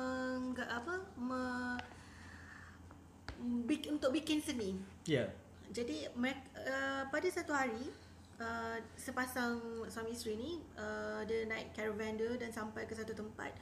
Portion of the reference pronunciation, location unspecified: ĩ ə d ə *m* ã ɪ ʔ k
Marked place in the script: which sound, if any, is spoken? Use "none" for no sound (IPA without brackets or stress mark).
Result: n